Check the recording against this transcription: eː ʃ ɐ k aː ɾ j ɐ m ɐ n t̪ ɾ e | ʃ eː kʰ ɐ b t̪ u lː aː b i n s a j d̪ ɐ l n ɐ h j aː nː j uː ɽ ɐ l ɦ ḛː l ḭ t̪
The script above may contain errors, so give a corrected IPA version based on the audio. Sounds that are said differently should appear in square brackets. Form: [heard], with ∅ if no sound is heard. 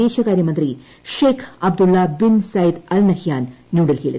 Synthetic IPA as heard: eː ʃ ɐ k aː ɾ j ɐ m ɐ n t̪ ɾ [i] | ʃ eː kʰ ɐ b [d̪] u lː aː b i n s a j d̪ ɐ l n ɐ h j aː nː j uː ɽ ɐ l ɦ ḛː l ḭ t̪